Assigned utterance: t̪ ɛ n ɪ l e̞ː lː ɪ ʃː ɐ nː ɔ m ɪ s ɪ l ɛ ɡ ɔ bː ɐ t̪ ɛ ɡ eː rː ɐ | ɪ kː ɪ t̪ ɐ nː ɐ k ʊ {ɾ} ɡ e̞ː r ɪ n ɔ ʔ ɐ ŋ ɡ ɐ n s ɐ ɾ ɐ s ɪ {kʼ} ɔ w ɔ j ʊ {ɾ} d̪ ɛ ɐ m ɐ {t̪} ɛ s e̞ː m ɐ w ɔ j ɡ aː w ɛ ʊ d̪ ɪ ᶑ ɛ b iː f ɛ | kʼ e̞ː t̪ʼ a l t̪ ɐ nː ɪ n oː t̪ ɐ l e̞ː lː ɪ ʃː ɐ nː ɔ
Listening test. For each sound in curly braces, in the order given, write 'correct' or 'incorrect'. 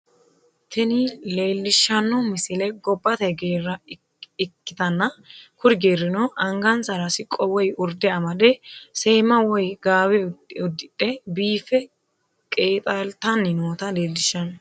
correct, correct, correct, incorrect: d̪

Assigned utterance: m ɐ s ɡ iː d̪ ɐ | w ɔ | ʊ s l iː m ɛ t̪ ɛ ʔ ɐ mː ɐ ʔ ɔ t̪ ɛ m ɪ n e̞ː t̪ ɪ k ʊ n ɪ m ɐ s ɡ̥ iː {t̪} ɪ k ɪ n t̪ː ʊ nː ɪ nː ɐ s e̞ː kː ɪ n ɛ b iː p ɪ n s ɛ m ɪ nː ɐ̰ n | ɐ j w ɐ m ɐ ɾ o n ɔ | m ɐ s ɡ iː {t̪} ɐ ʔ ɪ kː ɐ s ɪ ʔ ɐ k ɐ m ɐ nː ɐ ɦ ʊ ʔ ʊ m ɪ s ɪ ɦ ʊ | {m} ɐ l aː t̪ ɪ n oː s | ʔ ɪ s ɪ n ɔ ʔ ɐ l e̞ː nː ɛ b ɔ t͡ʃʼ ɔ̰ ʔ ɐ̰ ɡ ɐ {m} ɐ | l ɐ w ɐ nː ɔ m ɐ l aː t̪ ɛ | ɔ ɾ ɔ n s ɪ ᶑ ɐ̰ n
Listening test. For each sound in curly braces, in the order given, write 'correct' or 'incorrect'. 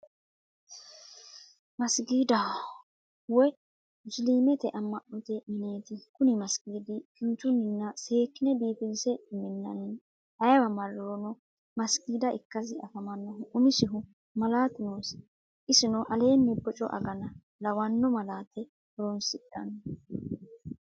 incorrect: d̪, incorrect: d̪, correct, incorrect: n

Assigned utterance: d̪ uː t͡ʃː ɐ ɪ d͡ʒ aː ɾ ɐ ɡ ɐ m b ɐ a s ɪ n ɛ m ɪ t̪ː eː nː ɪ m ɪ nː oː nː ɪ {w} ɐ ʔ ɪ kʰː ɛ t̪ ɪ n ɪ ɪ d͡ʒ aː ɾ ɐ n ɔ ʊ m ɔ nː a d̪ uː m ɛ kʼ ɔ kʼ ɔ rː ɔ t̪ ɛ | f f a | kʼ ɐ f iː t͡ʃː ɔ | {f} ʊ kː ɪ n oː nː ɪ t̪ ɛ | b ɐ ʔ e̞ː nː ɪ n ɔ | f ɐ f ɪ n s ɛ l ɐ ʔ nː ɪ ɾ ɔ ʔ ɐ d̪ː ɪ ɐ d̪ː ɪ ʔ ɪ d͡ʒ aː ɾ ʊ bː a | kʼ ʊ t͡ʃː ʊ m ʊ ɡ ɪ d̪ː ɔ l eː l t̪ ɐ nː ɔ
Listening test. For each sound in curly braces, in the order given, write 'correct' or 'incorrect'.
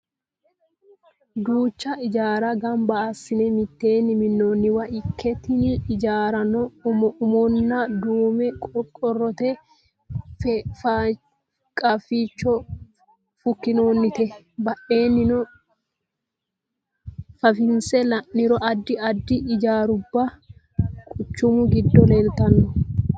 correct, correct

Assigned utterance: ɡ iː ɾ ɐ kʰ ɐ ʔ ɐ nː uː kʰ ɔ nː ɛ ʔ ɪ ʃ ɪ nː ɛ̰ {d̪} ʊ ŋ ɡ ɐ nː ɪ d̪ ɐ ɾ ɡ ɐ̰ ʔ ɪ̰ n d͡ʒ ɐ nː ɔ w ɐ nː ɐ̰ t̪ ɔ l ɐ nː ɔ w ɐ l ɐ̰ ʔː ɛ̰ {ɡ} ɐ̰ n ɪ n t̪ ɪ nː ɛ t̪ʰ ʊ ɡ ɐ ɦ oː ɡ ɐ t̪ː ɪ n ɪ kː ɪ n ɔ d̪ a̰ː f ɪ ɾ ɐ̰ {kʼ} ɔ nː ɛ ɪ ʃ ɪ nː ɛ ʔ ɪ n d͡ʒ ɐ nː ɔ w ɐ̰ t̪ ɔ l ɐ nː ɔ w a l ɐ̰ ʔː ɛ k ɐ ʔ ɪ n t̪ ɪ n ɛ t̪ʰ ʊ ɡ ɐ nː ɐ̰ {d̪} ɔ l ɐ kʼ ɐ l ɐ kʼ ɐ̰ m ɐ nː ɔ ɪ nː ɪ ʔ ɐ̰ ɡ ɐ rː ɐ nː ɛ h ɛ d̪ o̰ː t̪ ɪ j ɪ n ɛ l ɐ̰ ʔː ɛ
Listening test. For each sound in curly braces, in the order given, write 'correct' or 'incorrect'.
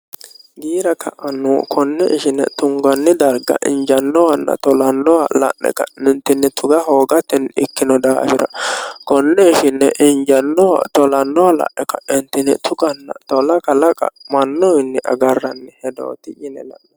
incorrect: t̪, incorrect: k, incorrect: k, incorrect: t̪

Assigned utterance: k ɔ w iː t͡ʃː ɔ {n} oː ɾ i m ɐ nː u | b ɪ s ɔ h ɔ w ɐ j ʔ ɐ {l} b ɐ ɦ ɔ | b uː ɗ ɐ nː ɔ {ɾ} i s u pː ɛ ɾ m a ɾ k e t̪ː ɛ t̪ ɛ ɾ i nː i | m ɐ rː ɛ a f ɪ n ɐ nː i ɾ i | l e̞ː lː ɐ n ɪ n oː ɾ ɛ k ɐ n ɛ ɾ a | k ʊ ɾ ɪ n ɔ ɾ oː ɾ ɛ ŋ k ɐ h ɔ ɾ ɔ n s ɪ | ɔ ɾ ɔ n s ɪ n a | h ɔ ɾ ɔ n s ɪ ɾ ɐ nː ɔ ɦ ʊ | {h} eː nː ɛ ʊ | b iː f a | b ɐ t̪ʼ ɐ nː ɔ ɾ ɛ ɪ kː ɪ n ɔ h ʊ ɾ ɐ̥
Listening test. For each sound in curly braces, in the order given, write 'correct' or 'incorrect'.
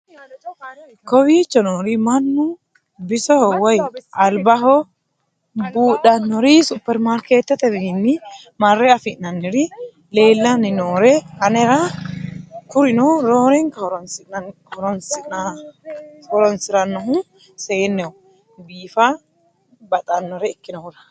correct, correct, correct, incorrect: s

